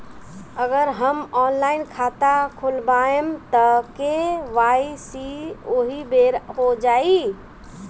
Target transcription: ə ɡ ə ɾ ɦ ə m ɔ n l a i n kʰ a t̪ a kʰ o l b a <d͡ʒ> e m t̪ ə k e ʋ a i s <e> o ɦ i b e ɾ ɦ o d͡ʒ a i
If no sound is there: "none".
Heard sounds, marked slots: none, i

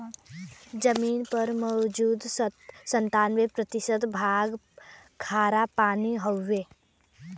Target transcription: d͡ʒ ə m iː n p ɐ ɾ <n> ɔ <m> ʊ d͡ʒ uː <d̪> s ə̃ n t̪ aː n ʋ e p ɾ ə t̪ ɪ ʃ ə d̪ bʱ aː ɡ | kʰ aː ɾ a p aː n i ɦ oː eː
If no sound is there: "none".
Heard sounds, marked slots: m, none, d̪

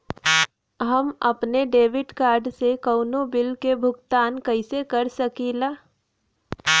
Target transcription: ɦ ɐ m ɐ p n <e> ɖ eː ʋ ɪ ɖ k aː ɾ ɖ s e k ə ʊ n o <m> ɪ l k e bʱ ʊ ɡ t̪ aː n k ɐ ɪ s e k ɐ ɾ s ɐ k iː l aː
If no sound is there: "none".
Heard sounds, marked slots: e, b

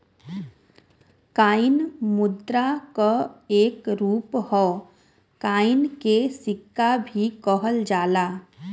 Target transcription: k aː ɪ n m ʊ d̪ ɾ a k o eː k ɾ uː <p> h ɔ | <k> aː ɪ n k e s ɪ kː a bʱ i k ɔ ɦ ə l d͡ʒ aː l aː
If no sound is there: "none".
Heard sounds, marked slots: p, k

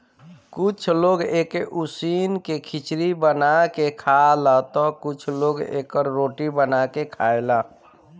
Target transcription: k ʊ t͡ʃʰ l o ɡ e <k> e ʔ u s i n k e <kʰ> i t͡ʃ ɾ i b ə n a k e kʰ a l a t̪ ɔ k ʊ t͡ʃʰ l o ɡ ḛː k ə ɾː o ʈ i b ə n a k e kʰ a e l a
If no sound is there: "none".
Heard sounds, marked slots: k, kʰ

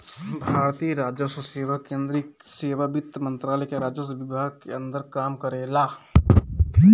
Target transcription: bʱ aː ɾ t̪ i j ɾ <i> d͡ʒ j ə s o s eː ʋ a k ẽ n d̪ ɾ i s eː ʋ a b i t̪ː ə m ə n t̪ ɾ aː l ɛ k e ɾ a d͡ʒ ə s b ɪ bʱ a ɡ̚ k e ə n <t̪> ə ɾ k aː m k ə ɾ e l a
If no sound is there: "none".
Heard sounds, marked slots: a, d̪

